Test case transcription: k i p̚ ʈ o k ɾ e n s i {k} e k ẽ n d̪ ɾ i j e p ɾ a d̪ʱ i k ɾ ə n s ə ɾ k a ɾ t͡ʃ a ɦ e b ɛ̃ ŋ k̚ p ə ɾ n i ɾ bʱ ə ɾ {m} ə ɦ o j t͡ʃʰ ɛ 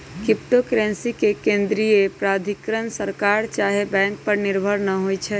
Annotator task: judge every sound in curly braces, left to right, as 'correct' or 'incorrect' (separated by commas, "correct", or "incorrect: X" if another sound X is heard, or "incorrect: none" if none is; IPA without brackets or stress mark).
correct, incorrect: n